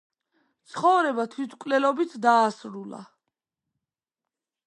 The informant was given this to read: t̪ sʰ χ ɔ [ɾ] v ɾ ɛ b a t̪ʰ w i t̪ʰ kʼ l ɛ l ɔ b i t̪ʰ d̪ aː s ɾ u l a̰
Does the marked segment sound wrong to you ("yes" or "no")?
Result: yes